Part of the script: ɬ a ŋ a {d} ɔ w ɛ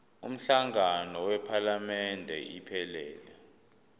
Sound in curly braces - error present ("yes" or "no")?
yes